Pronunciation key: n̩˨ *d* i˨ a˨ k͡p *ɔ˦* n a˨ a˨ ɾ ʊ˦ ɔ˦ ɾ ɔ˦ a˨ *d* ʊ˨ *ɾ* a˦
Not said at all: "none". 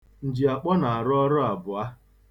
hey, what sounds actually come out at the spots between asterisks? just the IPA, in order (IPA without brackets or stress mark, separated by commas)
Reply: d͡ʒ, ɔ˦, b, none